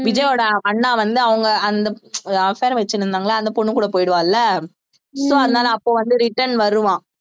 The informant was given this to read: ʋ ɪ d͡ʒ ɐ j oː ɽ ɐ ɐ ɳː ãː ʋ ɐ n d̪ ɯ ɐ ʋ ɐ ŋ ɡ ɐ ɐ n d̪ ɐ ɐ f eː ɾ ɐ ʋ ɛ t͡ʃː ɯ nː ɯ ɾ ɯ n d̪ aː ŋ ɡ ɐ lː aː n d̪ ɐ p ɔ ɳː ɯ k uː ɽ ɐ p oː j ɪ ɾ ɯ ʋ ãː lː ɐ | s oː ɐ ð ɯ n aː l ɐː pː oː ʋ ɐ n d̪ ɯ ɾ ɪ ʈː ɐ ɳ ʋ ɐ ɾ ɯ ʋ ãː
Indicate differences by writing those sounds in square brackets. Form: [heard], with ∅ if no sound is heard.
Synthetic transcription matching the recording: ʋ ɪ d͡ʒ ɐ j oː ɽ ɐ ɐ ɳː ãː ʋ ɐ n d̪ ɯ ɐ ʋ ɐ ŋ ɡ ɐ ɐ n d̪ ɐ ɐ f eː ɾ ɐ ʋ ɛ t͡ʃː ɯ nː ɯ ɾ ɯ n d̪ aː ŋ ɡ ɐ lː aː n d̪ ɐ p ɔ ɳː ɯ k uː ɽ ɐ p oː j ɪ [ɽ] ɯ ʋ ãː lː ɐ | s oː ɐ ð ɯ n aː l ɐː pː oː ʋ ɐ n d̪ ɯ ɾ ɪ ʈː ɐ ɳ ʋ ɐ ɾ ɯ ʋ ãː